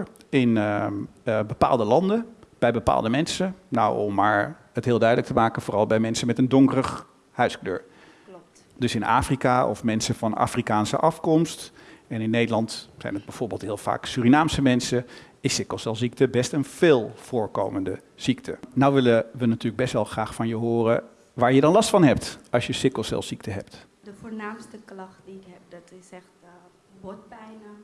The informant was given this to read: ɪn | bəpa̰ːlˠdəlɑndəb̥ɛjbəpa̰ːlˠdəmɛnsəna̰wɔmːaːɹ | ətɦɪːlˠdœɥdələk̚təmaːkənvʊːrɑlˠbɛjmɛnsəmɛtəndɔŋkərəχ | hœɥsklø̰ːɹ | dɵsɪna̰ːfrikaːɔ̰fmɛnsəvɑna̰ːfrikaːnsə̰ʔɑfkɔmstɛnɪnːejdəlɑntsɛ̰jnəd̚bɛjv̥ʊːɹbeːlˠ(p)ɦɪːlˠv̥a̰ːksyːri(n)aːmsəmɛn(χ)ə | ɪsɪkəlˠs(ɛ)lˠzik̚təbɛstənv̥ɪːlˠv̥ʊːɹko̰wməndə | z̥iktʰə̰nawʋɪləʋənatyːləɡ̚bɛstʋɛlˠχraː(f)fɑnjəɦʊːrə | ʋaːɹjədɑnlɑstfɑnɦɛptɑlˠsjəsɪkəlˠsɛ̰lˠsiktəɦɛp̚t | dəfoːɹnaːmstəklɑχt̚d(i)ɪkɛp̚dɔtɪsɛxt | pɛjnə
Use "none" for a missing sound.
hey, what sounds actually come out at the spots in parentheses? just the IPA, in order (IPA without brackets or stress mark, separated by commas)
t, n, s, ɛ, χ, i